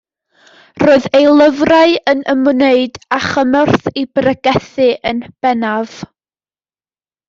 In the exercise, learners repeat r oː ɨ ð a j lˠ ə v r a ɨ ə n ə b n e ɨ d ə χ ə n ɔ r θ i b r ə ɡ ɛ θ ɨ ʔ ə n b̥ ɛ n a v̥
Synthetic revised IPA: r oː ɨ ð e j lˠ ə v r a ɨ ə n ə m n e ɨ d a χ ə m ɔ r θ i b r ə ɡ ɛ θ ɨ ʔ ə n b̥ ɛ n a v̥